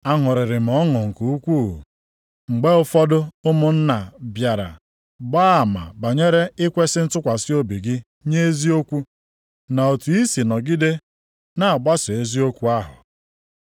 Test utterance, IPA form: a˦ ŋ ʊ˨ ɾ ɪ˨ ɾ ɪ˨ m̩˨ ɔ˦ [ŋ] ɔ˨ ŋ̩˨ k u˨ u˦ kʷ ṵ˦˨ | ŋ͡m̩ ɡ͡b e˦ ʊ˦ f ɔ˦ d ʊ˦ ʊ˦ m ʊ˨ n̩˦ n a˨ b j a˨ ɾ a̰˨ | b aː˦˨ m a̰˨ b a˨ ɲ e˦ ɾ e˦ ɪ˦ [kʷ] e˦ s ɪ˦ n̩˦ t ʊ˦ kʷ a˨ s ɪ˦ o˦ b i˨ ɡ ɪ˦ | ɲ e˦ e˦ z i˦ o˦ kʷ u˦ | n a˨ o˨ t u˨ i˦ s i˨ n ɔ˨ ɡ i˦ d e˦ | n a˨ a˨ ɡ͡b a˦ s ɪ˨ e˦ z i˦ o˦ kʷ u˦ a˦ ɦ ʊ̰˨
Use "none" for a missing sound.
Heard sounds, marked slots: ŋ, kʷ

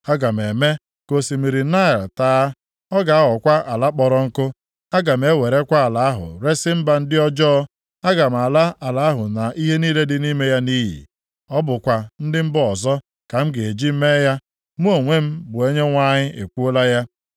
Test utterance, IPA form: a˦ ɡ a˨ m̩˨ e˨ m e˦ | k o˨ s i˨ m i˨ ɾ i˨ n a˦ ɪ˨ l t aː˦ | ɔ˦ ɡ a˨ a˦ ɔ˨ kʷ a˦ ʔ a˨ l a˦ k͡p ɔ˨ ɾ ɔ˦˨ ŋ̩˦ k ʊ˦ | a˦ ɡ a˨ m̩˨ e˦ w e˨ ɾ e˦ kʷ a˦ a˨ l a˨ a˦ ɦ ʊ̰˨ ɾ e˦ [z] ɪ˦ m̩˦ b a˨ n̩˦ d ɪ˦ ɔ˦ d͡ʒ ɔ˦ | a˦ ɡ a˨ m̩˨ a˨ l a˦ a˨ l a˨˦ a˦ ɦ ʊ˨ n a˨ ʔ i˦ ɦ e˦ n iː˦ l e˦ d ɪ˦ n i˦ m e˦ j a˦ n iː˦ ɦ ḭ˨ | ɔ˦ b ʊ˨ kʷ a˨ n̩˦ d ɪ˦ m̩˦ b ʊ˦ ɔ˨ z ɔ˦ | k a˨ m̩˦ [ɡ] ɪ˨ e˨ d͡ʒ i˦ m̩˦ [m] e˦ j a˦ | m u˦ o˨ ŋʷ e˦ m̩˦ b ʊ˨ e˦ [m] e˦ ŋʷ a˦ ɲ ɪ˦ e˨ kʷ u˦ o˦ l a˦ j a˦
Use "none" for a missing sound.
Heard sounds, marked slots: s, ɡ, m, ɲ

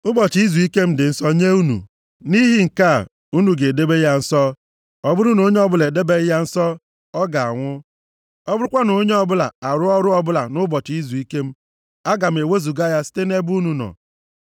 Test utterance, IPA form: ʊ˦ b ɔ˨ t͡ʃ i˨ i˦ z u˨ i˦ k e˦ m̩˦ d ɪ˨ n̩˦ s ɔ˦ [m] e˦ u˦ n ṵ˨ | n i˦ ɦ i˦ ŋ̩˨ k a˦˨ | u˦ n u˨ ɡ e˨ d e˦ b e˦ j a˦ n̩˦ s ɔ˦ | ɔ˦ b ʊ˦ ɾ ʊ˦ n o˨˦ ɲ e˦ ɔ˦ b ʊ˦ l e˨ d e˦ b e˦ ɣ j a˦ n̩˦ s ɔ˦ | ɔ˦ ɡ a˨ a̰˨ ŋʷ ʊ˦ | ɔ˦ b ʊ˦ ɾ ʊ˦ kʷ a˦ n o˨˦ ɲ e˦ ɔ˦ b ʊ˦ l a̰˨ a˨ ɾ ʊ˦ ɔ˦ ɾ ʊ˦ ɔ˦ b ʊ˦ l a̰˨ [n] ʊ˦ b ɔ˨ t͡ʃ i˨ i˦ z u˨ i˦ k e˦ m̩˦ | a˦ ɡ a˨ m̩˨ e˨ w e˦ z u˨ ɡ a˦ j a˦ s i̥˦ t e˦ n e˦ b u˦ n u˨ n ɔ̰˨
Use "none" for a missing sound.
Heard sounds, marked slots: ɲ, n

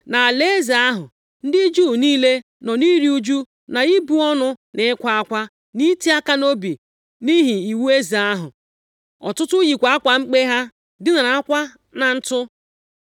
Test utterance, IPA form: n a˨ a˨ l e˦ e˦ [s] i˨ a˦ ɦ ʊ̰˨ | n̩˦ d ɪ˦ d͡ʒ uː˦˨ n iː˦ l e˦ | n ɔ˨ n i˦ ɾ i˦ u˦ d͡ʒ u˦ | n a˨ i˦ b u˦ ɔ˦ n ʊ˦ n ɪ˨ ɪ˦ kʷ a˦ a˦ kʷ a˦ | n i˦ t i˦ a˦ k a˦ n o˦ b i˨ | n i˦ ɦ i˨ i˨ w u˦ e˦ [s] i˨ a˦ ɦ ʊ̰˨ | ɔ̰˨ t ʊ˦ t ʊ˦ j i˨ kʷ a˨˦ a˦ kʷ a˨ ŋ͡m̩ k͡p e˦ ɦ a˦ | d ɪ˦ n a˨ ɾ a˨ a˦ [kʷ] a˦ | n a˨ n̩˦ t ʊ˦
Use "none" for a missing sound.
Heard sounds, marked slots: z, z, kʷ

